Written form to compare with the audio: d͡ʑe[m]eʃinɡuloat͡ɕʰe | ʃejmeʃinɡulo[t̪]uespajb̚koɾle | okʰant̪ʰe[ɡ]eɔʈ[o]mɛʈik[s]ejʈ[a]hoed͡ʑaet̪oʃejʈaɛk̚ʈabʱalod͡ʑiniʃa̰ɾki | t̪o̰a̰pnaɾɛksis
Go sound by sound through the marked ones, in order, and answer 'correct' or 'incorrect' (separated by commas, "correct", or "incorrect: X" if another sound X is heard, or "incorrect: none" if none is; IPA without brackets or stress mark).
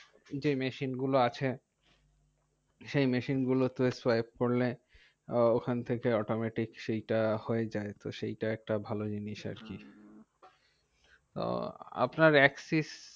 correct, correct, incorrect: k, correct, incorrect: ʃ, correct